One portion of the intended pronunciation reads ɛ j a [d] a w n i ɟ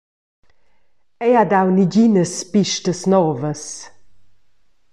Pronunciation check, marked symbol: correct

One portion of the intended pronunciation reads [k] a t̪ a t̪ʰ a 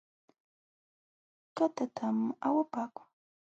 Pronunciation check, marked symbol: correct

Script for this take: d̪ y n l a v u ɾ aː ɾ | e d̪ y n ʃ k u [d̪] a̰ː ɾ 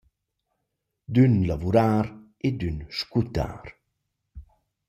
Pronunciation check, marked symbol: incorrect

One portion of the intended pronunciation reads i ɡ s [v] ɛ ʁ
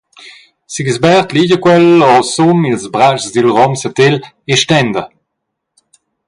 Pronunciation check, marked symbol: incorrect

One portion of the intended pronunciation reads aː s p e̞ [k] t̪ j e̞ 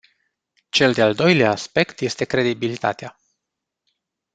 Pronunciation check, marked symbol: correct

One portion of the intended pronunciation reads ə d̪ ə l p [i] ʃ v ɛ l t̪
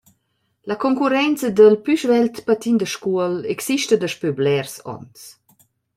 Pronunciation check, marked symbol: incorrect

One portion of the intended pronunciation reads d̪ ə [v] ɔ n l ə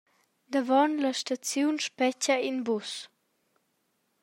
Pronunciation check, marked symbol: correct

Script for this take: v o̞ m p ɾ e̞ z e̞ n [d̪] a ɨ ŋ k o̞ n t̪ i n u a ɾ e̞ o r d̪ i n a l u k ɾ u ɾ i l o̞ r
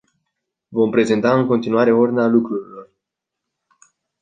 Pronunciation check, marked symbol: incorrect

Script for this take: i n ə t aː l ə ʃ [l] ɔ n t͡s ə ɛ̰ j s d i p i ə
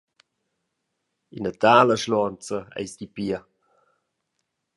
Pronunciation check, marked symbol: correct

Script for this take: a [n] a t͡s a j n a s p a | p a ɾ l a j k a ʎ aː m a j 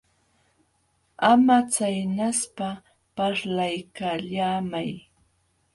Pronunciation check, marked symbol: incorrect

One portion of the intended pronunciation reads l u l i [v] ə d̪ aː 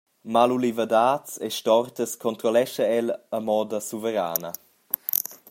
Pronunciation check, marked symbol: correct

